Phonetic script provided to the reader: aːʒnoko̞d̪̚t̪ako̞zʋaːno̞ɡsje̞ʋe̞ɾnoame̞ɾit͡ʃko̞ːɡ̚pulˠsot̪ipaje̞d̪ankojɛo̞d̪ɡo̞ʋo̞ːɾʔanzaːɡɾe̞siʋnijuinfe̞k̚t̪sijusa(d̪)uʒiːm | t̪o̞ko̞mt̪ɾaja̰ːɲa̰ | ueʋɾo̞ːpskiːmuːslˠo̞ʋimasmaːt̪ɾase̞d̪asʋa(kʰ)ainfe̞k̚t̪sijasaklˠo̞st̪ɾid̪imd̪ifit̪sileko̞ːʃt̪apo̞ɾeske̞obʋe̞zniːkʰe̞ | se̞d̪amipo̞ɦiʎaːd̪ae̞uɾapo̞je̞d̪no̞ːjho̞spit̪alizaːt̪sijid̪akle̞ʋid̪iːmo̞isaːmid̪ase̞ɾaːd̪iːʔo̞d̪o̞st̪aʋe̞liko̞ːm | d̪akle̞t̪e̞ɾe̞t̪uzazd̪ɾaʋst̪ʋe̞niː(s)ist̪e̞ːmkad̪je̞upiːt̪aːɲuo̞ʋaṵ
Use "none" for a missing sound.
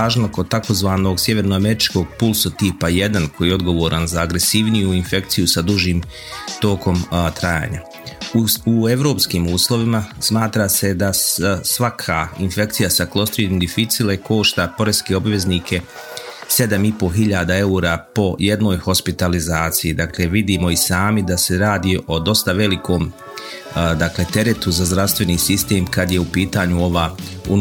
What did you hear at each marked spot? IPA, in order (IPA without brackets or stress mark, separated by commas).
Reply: d̪, kʰ, s